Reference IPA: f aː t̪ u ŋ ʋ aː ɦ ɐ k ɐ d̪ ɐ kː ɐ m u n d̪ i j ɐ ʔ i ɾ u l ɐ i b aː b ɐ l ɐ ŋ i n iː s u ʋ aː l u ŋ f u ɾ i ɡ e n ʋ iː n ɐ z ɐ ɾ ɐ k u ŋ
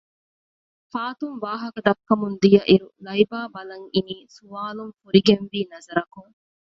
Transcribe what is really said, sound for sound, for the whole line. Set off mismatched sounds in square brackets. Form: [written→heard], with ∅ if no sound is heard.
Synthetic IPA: f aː t̪ u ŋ ʋ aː ɦ ɐ k ɐ d̪ ɐ kː ɐ m u n d̪ i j ɐ ʔ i ɾ u l ɐ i b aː b ɐ l ɐ ŋ i n iː s u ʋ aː l u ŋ f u ɾ i ɡ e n ʋ iː n ɐ z ɐ ɾ ɐ k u ŋ